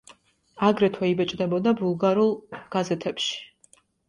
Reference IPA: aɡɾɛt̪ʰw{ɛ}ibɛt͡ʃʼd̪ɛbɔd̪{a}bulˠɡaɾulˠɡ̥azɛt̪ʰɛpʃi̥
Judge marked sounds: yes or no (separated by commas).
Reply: yes, yes